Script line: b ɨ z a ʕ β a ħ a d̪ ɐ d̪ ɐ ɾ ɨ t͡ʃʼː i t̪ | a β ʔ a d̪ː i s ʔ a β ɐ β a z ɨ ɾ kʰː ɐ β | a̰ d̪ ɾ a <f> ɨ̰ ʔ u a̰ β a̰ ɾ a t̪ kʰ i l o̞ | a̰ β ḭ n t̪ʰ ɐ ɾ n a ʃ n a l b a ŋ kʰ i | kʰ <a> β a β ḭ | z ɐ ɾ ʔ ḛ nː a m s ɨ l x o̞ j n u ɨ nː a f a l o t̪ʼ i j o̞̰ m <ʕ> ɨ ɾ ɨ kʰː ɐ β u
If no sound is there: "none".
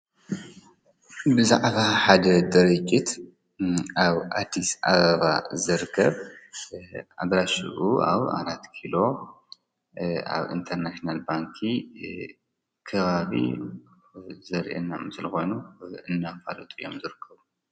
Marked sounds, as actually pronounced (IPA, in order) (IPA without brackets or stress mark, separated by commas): ʃ, ɐ, z